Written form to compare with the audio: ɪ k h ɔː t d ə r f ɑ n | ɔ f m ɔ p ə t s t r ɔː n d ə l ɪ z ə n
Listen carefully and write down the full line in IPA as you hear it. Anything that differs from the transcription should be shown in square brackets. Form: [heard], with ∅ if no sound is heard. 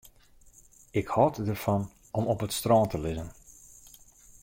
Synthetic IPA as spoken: ɪ k h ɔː t d ə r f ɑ n | ɔ [∅] m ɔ p ə t s t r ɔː n [t] ə l ɪ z ə n